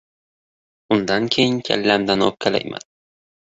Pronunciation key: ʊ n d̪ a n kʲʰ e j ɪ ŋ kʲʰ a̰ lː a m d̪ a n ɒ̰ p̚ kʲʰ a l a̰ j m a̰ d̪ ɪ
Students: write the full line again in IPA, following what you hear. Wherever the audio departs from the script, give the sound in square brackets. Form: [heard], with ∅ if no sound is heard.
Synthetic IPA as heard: ʊ n d̪ a n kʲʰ e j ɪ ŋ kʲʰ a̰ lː a m d̪ a n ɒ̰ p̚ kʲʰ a l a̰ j m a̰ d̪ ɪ